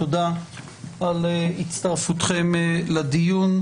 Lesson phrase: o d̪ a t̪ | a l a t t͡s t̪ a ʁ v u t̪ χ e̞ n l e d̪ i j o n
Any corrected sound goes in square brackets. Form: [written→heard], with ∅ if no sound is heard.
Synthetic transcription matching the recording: o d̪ a [t̪→∅] | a l [a→i] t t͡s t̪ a ʁ [v→f] u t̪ χ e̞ [n→m] l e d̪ i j [o→u] n